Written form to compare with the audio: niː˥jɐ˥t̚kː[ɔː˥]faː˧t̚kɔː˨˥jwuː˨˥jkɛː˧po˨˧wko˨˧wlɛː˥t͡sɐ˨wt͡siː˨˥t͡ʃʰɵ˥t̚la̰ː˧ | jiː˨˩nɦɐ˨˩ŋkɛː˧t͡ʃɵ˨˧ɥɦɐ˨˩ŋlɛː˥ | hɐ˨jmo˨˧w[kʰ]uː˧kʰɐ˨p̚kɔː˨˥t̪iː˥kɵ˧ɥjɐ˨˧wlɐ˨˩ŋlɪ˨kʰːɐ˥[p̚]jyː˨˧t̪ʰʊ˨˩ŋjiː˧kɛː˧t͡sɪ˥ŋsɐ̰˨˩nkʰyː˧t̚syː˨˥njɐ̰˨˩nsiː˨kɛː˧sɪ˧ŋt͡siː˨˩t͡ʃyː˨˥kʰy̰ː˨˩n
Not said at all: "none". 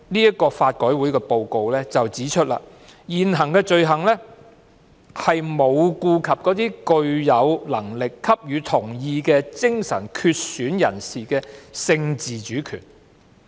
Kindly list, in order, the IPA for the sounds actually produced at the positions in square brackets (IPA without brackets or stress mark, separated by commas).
ɔː˧, k, p̚